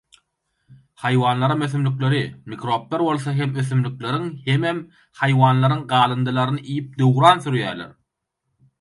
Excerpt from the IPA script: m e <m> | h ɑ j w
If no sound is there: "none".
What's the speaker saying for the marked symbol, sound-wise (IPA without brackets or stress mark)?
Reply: m